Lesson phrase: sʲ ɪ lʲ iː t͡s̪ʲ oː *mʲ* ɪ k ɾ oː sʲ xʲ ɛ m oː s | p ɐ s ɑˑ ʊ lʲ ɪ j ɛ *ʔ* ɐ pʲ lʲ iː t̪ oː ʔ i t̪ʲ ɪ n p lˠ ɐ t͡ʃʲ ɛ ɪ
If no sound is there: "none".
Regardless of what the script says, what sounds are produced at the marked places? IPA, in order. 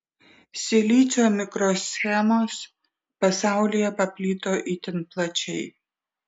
mʲ, p

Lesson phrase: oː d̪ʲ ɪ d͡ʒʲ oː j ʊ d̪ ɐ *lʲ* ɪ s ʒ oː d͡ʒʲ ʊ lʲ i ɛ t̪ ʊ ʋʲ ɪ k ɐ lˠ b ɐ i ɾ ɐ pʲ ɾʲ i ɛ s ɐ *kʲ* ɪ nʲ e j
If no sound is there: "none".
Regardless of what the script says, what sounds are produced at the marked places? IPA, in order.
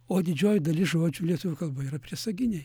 lʲ, ɡʲ

